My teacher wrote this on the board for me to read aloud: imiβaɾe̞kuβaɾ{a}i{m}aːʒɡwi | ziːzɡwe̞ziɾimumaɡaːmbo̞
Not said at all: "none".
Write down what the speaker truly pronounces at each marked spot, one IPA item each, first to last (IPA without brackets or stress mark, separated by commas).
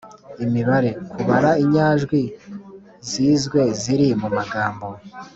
a, ɲ